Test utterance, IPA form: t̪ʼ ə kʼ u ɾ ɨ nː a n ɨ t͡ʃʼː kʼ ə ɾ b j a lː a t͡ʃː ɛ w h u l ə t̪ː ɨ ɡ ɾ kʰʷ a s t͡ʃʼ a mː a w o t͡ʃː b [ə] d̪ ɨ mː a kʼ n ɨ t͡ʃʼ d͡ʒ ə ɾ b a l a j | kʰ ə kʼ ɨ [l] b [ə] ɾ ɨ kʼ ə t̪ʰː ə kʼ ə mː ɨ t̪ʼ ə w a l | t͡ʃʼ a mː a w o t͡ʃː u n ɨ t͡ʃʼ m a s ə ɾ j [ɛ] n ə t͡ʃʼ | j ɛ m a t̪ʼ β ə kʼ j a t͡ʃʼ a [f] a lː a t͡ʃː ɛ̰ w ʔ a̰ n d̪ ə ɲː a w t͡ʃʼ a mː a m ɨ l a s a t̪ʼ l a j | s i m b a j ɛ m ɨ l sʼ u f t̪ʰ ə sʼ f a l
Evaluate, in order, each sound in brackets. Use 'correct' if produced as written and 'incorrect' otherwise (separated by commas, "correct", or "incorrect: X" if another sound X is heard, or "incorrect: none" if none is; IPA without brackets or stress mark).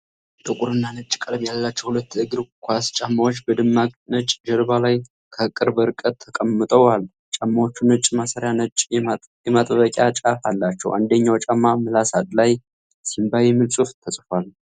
correct, incorrect: ɾ, correct, incorrect: a, correct